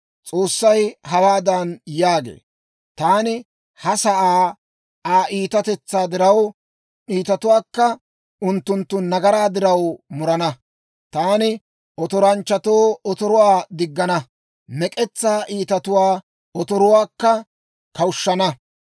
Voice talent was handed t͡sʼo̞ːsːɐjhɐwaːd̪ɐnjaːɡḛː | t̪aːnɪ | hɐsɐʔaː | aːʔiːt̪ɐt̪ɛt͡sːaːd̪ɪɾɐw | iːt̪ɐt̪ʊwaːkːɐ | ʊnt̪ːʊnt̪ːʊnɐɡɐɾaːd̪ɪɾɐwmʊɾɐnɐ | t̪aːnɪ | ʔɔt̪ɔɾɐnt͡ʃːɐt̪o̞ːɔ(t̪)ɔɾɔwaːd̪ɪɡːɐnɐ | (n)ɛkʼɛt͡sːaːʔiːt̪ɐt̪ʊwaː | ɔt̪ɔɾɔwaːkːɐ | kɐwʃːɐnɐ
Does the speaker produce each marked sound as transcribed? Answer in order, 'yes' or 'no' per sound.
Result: yes, no

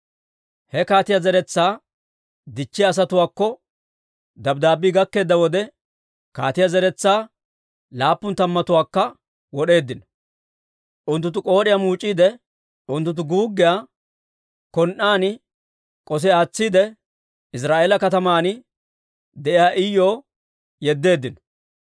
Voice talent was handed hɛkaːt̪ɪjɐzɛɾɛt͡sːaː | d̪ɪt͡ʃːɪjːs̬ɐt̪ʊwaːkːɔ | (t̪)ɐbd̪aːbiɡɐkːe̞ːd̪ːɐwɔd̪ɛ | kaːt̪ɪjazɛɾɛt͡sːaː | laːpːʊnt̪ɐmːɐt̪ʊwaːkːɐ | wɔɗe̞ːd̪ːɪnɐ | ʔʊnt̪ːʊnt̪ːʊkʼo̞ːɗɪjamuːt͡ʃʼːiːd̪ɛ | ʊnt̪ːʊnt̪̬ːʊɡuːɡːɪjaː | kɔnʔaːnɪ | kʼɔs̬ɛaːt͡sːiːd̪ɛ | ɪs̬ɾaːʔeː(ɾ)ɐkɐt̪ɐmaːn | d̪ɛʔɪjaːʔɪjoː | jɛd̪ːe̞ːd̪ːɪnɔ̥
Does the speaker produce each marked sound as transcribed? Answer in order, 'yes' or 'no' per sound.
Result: no, no

